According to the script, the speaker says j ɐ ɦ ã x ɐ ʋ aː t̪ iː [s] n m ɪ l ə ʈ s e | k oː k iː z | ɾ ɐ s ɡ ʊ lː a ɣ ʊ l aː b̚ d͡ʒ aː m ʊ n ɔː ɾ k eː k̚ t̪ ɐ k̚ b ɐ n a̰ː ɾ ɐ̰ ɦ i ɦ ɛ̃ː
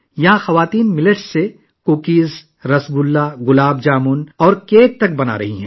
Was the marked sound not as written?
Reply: yes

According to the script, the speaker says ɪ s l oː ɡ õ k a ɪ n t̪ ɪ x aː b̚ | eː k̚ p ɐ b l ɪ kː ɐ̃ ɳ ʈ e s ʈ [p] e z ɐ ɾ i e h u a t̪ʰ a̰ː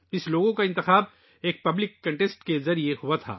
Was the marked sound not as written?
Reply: yes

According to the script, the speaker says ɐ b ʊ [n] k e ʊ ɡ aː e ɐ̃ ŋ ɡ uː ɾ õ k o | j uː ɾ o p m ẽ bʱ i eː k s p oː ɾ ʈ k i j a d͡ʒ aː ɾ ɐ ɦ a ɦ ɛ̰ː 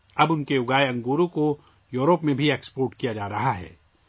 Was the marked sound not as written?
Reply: no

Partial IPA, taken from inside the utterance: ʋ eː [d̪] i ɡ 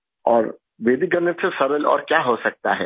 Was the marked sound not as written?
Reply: no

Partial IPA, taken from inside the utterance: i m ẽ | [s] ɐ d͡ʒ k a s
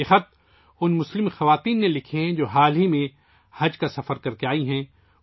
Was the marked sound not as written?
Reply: yes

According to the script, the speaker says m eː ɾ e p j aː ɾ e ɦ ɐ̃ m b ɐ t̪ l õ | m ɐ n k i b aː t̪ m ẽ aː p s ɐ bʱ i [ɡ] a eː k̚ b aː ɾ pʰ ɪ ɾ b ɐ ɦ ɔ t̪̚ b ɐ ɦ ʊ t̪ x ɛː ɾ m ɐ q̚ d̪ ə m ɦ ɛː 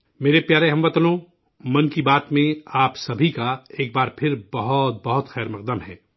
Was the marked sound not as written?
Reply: yes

